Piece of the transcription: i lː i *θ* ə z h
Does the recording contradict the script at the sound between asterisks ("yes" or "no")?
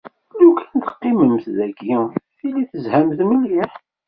no